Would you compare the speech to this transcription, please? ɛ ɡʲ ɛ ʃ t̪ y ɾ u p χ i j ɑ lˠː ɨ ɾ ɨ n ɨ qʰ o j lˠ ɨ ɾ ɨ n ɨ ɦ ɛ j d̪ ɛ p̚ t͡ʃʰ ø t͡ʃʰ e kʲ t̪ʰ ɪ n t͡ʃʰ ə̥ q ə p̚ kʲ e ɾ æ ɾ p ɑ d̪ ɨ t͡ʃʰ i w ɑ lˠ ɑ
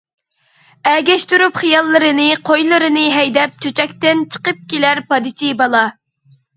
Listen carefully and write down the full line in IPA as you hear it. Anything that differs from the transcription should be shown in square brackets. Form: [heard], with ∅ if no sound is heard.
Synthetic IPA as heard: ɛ ɡʲ ɛ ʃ t̪ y ɾ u p χ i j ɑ lˠː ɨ ɾ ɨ n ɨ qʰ o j lˠ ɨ ɾ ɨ n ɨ ɦ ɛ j d̪ ɛ p̚ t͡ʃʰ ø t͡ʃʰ [ɛ] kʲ [t̪] ɪ n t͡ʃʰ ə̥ q ə p̚ kʲ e [l] æ ɾ p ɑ d̪ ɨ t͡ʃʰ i [b] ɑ lˠ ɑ